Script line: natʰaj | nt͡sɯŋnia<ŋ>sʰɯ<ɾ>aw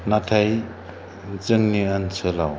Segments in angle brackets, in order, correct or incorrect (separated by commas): incorrect, incorrect